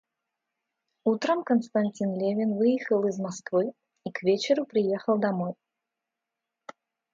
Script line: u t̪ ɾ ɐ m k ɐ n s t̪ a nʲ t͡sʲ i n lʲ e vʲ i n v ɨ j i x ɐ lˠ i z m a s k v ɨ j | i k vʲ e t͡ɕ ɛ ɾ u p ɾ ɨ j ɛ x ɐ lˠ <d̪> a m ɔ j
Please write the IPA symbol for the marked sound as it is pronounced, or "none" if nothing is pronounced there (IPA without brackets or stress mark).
d̪